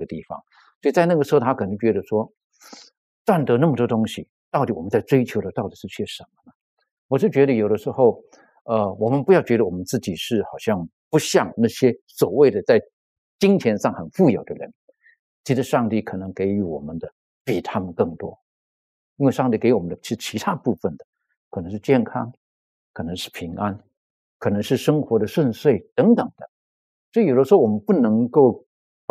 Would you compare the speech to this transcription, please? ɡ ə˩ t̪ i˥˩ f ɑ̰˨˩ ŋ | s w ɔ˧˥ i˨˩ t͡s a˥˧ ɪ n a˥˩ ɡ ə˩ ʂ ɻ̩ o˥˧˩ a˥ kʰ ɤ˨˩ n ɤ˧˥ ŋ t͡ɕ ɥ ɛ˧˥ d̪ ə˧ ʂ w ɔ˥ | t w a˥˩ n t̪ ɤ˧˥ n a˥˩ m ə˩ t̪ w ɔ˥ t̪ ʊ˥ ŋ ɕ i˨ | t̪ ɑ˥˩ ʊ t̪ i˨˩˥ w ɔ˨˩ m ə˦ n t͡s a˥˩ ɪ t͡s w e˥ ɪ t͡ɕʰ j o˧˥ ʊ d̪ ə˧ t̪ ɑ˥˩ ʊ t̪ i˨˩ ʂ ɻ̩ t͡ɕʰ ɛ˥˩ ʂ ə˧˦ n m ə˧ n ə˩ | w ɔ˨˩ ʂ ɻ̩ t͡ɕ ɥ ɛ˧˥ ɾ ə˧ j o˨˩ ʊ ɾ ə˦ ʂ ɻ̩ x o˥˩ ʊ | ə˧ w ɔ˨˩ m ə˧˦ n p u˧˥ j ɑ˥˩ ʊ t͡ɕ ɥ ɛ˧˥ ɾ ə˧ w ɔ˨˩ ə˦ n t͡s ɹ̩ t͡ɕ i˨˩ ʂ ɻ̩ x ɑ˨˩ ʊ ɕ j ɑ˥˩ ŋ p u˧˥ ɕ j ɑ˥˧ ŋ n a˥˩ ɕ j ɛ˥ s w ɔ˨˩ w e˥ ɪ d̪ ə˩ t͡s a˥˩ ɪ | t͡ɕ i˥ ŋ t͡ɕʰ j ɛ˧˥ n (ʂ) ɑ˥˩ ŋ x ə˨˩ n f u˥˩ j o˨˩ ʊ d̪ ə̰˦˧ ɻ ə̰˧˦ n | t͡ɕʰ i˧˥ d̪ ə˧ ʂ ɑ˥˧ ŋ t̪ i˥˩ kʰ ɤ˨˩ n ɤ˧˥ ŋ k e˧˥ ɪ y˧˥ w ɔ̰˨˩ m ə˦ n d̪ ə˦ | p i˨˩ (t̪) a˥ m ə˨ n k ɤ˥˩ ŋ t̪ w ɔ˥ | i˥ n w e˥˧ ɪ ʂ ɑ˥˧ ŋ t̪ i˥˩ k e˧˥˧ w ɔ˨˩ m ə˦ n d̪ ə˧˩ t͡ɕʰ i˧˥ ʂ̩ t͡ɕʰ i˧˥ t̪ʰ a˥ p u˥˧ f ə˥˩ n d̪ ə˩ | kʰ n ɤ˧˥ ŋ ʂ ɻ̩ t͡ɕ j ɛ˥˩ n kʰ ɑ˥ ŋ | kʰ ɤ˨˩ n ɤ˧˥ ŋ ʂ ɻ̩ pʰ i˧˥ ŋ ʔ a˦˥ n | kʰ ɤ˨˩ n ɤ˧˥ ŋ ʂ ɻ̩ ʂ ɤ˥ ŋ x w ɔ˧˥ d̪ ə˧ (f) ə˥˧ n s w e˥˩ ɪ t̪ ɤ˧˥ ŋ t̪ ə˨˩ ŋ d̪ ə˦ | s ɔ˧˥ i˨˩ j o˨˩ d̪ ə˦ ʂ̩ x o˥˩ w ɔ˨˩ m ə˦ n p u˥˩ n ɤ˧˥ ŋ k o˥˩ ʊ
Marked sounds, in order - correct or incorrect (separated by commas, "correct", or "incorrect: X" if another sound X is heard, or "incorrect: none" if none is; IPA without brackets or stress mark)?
correct, incorrect: t̪ʰ, incorrect: ʂ